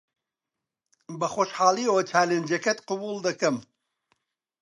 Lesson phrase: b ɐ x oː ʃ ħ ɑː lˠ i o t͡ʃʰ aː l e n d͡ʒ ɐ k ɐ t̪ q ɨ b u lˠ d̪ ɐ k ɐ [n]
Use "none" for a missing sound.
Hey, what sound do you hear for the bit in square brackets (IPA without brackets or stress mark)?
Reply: m